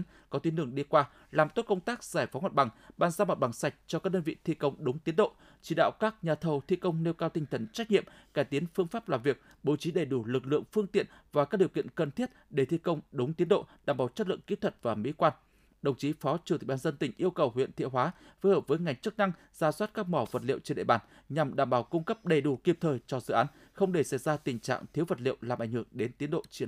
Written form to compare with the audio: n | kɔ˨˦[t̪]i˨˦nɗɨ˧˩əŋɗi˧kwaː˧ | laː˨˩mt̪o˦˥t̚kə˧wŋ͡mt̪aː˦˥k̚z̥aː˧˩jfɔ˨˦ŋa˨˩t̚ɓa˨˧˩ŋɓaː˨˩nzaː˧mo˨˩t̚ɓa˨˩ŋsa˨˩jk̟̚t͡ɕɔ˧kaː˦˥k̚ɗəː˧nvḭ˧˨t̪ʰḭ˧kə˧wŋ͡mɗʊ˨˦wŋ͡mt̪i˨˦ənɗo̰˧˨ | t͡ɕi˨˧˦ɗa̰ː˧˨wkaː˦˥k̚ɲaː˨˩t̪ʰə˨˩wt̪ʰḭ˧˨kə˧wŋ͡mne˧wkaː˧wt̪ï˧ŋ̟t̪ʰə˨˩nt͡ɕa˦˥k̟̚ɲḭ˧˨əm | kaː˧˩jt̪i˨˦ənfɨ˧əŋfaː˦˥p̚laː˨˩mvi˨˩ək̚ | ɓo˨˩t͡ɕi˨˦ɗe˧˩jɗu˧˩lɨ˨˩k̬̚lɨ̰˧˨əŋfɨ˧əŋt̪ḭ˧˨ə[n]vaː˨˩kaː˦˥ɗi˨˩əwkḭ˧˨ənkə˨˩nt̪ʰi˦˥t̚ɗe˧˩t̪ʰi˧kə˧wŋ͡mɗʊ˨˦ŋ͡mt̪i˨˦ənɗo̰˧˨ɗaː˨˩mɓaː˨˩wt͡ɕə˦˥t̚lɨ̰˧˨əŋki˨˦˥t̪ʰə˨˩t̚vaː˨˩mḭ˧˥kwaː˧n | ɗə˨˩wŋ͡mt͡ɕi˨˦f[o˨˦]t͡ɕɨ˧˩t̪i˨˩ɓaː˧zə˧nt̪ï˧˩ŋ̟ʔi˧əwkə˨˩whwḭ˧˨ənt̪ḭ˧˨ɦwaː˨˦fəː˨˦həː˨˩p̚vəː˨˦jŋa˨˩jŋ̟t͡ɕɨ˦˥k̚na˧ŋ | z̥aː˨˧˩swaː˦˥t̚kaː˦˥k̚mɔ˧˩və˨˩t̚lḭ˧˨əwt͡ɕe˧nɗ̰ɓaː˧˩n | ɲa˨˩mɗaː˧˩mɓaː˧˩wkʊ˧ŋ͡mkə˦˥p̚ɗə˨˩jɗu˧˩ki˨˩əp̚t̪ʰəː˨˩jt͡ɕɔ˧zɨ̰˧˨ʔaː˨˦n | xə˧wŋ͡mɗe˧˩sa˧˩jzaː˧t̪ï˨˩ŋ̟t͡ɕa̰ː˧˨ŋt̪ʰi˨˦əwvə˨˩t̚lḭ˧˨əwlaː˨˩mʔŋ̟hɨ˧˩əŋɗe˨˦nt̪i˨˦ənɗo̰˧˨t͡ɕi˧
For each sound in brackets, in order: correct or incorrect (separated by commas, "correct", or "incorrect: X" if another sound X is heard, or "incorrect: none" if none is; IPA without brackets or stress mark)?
correct, correct, incorrect: ɔ˨˦